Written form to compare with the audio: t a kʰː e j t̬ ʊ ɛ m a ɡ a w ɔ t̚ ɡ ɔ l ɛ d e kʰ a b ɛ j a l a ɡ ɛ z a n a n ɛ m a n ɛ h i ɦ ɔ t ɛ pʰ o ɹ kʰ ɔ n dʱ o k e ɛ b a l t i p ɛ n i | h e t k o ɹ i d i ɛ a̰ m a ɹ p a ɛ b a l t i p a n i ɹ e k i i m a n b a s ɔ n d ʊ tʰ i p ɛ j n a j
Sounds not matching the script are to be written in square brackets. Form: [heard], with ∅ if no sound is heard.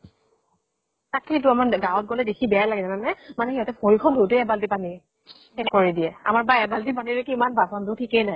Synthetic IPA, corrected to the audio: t a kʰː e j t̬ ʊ [a] m a ɡ a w ɔ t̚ ɡ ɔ l ɛ d e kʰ [i] b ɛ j a l a ɡ ɛ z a n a n ɛ m a n ɛ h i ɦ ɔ t ɛ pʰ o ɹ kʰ ɔ n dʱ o [t] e ɛ b a l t i p [a] n i | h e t k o ɹ i d i ɛ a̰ m a ɹ [b] a ɛ b a l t i p a n i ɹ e k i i m a n b a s ɔ n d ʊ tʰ i [k] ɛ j n a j